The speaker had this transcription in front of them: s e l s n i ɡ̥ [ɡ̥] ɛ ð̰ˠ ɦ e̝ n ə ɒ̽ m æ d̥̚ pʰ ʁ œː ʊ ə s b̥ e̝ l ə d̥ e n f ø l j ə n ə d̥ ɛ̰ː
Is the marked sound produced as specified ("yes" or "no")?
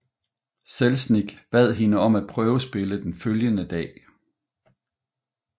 no